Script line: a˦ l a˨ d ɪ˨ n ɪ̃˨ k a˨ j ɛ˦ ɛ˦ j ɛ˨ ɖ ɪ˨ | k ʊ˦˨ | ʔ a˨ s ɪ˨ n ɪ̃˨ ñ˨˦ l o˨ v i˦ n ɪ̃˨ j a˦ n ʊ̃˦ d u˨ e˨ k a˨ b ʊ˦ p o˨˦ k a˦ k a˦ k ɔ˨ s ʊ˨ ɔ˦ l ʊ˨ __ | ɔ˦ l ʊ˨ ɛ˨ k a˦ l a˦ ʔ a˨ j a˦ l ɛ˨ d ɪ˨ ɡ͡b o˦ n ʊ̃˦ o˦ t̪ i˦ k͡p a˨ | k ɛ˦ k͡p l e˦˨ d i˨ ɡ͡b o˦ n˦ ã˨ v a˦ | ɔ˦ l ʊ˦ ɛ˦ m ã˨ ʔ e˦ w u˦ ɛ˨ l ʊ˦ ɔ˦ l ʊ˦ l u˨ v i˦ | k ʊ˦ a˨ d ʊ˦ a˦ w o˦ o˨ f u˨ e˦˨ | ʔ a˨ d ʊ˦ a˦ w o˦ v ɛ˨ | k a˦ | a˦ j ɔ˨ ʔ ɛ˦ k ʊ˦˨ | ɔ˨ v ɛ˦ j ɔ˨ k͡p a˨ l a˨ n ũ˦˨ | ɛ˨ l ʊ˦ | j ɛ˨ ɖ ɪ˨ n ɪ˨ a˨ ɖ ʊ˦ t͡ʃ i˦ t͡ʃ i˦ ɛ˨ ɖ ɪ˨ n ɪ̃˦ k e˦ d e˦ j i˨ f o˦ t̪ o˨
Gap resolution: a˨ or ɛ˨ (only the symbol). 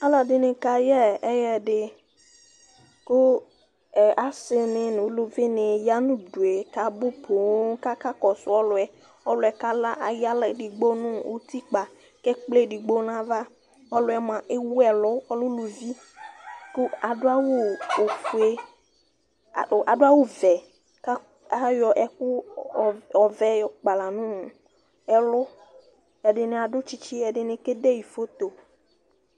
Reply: ɛ˨